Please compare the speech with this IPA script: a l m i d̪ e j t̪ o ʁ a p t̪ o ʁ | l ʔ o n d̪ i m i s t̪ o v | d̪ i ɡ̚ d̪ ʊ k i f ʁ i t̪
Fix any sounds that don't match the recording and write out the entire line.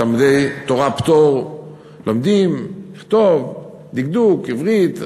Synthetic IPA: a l m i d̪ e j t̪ o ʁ a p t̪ o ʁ | l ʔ o m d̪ i m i χ t̪ o v | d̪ i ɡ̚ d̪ u k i v ʁ i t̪